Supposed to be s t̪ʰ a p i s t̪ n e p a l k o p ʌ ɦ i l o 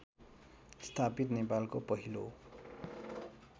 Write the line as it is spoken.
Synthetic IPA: s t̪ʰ a p i t̪ n e p a l k o p ʌ ɦ i l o